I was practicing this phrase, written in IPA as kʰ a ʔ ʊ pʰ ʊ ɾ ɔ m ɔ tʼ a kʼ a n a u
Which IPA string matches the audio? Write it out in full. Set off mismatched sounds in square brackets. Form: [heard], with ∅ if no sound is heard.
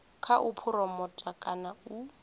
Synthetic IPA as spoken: kʰ a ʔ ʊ pʰ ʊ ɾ ɔ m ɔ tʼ a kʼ a n a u